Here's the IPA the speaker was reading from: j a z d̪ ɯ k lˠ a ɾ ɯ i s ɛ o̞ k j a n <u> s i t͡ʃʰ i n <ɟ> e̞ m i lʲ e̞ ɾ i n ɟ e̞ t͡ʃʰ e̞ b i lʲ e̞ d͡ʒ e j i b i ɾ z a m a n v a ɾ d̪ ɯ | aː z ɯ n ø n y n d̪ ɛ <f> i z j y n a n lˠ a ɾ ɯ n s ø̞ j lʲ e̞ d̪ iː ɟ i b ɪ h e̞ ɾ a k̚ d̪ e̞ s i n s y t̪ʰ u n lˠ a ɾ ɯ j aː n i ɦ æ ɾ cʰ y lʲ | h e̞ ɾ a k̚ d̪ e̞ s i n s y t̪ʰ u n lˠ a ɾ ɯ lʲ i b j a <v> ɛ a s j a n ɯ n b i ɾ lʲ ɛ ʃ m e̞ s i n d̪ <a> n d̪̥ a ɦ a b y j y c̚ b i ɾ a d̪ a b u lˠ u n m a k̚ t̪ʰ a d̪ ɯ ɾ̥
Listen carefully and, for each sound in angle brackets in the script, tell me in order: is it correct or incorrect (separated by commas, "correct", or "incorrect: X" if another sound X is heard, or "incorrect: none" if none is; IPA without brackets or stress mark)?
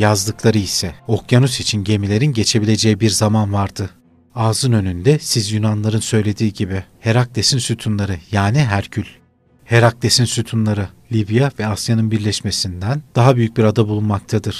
correct, correct, incorrect: s, correct, incorrect: æ